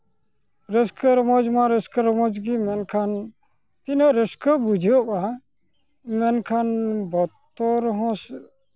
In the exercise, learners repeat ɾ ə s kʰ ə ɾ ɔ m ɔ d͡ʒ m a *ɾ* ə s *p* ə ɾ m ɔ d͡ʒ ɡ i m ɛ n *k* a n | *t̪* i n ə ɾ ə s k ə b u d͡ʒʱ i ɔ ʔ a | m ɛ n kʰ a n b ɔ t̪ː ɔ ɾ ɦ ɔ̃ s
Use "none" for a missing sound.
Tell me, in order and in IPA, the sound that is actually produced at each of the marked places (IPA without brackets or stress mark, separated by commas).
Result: ɾ, k, kʰ, t̪